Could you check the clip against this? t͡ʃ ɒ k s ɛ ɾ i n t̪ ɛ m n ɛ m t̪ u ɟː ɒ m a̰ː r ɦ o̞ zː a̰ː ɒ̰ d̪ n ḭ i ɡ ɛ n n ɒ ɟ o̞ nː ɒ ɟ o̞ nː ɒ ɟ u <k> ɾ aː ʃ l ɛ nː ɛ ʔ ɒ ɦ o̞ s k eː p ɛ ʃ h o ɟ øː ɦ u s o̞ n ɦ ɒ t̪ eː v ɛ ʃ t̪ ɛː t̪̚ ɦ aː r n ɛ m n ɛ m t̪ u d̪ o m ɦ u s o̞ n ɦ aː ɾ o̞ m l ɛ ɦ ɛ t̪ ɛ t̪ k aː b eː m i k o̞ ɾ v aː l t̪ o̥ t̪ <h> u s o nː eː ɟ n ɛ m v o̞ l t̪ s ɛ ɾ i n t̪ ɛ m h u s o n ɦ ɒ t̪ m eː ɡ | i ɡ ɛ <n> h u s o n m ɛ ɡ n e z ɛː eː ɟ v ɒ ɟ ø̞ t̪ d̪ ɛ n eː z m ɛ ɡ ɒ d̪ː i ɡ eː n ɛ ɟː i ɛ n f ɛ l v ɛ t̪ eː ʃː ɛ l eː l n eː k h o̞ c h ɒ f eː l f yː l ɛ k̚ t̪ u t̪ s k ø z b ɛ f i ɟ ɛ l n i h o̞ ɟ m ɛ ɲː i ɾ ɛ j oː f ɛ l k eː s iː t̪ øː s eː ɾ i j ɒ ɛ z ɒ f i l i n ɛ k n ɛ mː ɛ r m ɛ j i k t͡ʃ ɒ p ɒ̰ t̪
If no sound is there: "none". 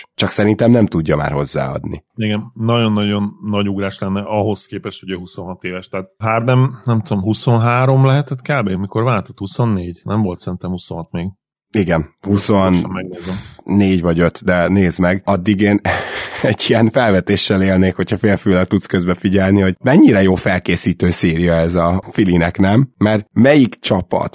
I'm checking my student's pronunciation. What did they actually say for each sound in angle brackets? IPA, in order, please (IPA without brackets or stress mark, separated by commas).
ɡ, h, n